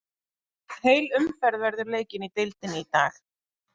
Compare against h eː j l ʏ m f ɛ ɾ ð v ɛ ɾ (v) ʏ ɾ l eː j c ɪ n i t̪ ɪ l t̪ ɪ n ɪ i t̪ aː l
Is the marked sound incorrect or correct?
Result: incorrect